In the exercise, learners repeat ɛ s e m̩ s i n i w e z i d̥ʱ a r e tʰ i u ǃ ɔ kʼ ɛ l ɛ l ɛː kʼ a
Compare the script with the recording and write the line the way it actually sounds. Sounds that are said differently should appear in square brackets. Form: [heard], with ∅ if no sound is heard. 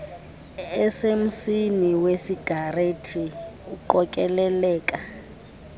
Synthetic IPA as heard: ɛ s e m̩ s i n i w e [s] i [ɡ̥ʱ] a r e tʰ i u ǃ ɔ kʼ ɛ l ɛ l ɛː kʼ a